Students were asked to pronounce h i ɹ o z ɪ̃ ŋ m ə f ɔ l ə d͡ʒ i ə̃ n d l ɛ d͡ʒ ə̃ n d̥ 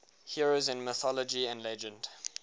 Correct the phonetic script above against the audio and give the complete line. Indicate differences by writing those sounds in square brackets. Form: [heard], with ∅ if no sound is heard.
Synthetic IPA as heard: h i ɹ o z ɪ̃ [n] m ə [θ] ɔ l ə d͡ʒ i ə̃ n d l ɛ d͡ʒ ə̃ n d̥

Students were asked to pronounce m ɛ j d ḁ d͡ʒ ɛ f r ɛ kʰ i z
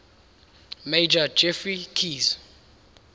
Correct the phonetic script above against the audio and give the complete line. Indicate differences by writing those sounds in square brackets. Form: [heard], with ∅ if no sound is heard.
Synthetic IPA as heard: m [e] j [d͡ʒ] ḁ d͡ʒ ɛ f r [i] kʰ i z

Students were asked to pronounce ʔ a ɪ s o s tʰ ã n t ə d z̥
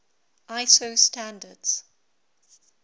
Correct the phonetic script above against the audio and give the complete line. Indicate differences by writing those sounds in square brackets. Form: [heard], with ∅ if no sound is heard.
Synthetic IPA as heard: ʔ a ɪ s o s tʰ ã n [d] ə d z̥

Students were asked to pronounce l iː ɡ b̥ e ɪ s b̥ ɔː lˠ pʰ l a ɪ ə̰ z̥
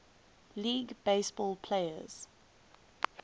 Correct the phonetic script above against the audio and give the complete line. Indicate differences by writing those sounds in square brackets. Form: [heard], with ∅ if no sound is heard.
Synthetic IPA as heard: l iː ɡ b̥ e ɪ s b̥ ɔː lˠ pʰ l [e] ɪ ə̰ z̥

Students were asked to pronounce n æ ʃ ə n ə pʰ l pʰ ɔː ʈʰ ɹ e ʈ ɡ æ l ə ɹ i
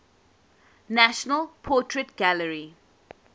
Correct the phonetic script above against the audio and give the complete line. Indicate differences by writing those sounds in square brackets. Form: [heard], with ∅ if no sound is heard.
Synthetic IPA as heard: n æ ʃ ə n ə [∅] l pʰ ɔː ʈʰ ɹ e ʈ ɡ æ l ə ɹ i

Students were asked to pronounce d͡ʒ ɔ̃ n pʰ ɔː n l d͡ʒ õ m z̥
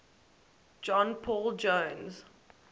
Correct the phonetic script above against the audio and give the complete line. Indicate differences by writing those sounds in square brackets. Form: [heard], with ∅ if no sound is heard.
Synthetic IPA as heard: d͡ʒ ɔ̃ n pʰ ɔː [∅] l d͡ʒ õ [n] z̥

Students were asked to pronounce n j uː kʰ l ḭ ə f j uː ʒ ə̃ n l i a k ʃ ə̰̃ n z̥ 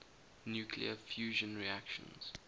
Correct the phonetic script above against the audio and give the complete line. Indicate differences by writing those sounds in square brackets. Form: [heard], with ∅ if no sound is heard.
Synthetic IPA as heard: n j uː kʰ l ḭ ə f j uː ʒ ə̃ n [ɹ] i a k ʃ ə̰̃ n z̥

